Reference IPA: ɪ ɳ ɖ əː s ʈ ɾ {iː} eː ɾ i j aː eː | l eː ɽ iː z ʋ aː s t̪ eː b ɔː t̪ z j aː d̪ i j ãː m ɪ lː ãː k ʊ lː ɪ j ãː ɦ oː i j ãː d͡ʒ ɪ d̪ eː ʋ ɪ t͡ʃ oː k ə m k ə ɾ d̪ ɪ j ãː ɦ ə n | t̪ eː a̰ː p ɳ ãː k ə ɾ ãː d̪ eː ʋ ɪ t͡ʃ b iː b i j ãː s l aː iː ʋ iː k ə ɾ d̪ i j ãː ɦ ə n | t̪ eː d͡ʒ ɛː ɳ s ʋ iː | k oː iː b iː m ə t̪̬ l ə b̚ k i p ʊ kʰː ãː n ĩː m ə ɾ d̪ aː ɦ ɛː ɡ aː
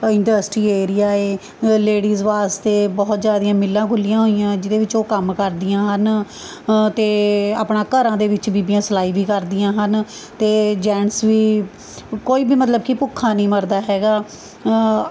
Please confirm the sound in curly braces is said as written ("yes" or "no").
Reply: yes